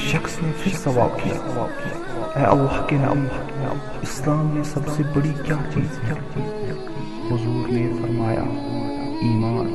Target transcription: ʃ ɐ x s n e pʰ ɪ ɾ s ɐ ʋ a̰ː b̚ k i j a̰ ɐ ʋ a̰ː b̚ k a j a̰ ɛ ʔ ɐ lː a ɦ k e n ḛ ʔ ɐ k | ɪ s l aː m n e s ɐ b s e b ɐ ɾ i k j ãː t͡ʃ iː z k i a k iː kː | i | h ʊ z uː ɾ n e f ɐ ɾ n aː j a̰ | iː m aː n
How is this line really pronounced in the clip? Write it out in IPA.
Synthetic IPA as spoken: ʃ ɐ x s n e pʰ ɪ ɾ s ɐ ʋ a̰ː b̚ k i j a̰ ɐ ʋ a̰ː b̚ k i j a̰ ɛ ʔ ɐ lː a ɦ k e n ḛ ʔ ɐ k | ɪ s l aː m n e s ɐ b s e b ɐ ɽ i k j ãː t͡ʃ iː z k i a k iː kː | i | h ʊ z uː ɾ n e f ɐ ɾ m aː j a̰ | iː m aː n